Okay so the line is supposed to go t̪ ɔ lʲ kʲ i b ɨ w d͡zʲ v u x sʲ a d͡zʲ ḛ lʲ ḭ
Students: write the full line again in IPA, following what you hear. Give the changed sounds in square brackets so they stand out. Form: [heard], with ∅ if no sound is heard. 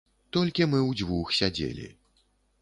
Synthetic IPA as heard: t̪ ɔ lʲ kʲ i [m] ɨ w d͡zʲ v u x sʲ a d͡zʲ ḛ lʲ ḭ